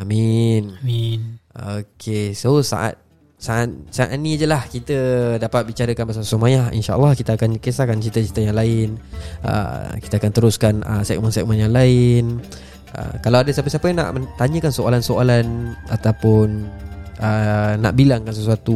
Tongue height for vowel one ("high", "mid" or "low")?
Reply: low